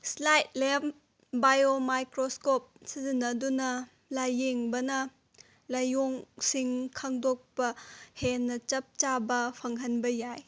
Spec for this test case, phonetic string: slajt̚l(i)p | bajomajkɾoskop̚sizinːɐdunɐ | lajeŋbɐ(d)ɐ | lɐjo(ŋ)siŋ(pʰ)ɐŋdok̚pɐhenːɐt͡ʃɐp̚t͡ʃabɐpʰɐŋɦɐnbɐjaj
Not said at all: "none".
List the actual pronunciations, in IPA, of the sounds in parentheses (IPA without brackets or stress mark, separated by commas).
e, n, ŋ, kʰ